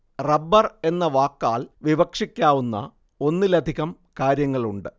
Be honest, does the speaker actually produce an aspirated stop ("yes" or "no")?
no